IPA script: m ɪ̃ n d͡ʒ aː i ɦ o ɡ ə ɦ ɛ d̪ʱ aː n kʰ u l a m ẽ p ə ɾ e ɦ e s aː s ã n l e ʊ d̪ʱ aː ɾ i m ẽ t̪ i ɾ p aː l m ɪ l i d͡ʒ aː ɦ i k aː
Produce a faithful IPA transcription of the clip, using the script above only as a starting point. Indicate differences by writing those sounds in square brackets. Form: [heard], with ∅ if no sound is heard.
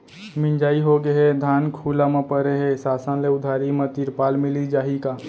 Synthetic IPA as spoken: m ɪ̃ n d͡ʒ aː i ɦ o ɡ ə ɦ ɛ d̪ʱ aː n kʰ u l a m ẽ p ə ɾ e ɦ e s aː s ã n l e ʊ d̪ʱ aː ɾ i m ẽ t̪ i ɾ p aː l m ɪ l i d͡ʒ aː ɦ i k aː